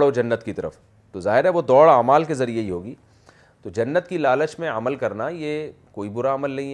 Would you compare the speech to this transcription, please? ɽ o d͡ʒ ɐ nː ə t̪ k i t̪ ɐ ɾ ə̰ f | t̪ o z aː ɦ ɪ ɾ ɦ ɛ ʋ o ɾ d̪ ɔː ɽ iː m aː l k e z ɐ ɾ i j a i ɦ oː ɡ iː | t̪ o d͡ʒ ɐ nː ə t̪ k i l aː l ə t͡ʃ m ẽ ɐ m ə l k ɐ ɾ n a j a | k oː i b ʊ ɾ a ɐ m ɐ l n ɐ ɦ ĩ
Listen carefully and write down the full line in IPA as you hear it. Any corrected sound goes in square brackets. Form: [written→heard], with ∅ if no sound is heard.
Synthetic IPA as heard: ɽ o d͡ʒ ɐ nː ə t̪ k i t̪ ɐ ɾ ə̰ f | t̪ o z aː ɦ ɪ ɾ ɦ ɛ ʋ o [ɾ→∅] d̪ ɔː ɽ [iː→aː] m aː l k e z ɐ ɾ i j [a→e] i ɦ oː ɡ iː | t̪ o d͡ʒ ɐ nː ə t̪ k i l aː l ə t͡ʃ m ẽ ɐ m ə l k ɐ ɾ n a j [a→e] | k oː i b ʊ ɾ a ɐ m [ɐ→ə] l n ɐ ɦ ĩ